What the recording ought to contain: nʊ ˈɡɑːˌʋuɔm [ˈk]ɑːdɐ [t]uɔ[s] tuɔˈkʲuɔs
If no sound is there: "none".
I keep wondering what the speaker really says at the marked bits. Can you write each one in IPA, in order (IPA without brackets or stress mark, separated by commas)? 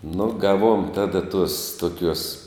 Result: t, t, s